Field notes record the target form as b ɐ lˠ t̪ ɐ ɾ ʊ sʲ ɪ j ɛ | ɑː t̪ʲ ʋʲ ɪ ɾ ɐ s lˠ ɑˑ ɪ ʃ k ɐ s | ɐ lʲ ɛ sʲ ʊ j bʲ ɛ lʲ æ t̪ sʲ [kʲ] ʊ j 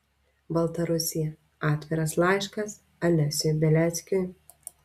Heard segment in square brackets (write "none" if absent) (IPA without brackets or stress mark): kʲ